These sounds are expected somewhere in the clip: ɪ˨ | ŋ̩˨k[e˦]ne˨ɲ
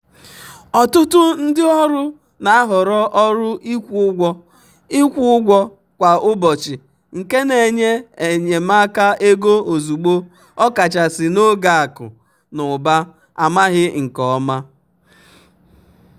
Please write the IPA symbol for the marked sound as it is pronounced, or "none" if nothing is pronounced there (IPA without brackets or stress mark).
e˦